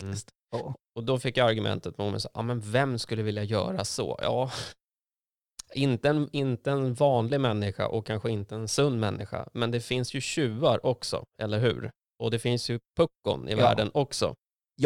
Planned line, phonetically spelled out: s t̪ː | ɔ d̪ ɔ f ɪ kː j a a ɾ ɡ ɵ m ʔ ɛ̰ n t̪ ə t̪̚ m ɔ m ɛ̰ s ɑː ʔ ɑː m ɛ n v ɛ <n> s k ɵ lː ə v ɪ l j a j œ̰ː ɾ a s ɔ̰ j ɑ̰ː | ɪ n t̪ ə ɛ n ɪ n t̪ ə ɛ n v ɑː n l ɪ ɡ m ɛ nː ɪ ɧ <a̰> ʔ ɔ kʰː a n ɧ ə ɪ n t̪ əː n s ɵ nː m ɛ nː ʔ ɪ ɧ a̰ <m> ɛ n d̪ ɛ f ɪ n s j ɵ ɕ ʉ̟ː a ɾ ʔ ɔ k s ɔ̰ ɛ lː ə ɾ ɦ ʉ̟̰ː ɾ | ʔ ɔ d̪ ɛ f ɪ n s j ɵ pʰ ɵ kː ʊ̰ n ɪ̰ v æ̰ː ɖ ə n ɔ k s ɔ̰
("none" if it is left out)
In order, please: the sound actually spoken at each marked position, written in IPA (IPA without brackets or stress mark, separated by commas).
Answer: m, a̰, m